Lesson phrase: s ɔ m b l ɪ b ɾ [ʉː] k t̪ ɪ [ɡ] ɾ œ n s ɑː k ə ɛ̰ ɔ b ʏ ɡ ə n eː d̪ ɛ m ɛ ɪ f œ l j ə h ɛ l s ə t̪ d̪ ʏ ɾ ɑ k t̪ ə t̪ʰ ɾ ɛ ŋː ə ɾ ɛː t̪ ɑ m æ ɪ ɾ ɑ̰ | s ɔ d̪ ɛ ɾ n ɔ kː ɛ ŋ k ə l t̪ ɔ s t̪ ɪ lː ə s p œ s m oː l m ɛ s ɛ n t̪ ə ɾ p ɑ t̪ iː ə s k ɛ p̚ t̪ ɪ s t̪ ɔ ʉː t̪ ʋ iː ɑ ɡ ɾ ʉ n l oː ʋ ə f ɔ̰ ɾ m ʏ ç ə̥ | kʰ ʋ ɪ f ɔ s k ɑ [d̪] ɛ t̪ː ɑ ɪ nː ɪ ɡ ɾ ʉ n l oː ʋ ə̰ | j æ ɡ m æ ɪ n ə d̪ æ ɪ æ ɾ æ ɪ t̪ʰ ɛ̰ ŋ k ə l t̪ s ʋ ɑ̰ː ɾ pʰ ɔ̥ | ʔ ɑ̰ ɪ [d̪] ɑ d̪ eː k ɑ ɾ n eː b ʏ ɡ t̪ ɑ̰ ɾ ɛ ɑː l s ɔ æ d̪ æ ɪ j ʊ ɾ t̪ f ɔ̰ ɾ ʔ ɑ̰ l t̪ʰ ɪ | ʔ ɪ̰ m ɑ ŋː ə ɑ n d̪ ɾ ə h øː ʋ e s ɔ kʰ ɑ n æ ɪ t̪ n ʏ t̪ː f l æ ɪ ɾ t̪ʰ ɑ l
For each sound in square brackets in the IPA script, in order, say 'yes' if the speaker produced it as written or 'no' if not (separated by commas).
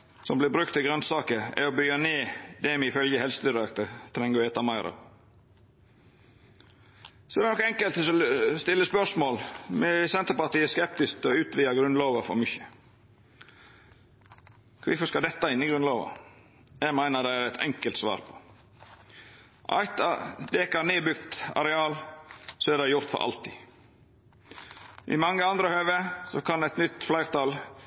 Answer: no, yes, yes, no